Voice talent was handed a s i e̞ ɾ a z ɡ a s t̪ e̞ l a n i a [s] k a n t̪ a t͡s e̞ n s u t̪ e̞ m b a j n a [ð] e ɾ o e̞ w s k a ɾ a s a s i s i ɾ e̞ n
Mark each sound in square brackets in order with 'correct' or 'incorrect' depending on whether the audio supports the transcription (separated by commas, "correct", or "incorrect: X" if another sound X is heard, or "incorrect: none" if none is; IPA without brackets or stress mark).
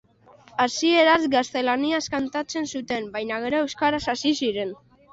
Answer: correct, incorrect: ɣ